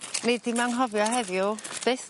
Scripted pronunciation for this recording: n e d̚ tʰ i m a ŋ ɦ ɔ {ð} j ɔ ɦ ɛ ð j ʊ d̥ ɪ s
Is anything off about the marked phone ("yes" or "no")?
yes